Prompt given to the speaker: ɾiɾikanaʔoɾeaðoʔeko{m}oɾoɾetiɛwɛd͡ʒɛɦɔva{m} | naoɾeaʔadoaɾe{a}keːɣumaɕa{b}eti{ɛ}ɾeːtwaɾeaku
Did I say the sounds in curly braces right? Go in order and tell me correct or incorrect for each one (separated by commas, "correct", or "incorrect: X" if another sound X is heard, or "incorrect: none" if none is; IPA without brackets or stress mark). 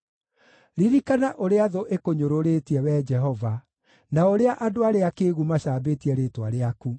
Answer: incorrect: ɲ, incorrect: none, correct, correct, correct